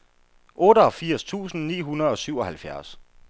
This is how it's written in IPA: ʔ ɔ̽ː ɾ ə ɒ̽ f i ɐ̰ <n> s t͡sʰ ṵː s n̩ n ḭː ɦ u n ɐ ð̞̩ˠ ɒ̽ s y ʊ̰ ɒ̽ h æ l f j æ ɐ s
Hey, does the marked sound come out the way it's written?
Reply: no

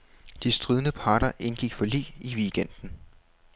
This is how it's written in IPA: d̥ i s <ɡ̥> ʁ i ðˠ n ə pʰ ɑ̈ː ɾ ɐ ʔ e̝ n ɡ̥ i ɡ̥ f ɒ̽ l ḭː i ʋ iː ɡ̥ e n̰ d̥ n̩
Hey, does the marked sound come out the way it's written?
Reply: no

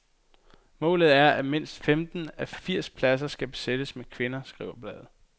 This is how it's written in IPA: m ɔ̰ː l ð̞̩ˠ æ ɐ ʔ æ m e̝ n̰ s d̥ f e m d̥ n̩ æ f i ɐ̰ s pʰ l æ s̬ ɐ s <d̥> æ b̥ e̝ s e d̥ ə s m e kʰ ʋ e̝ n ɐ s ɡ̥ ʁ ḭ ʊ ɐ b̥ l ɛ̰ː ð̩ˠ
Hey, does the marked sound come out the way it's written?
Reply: no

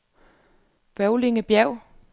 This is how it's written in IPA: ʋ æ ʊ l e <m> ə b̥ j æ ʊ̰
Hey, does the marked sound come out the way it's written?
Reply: no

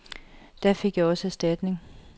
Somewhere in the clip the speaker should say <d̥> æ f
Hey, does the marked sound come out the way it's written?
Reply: yes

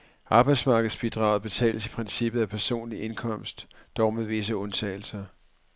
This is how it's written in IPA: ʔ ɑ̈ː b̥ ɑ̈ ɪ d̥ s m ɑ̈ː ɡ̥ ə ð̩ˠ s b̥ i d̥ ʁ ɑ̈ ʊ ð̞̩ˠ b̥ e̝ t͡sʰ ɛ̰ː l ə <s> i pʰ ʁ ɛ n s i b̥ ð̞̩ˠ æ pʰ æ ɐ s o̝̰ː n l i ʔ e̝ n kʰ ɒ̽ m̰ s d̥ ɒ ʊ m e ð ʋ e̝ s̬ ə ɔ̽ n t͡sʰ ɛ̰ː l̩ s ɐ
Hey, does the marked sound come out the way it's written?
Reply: yes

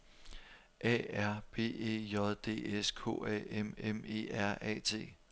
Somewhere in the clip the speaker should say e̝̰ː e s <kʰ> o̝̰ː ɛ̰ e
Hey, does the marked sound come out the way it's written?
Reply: yes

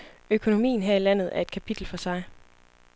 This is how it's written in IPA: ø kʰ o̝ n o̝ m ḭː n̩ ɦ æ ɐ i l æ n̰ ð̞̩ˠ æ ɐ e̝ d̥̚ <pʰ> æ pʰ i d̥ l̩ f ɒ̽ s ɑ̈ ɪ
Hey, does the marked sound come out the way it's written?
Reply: no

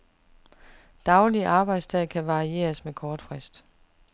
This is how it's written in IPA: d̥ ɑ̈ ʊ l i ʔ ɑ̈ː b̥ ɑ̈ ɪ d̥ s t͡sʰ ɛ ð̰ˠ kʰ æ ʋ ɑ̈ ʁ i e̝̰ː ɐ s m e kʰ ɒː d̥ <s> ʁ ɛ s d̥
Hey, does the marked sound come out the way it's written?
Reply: no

